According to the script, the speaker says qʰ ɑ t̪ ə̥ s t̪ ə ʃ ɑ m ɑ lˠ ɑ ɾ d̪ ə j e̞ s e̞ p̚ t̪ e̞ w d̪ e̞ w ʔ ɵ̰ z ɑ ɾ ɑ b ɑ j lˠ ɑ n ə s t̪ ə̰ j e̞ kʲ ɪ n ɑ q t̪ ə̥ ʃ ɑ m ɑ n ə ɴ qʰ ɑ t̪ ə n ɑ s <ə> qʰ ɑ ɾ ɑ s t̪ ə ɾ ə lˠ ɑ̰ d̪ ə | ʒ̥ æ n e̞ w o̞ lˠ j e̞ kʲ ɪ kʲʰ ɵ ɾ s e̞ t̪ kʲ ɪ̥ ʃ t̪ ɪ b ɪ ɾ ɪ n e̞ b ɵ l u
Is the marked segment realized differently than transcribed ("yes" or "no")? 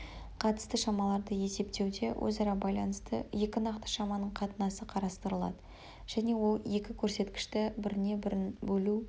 no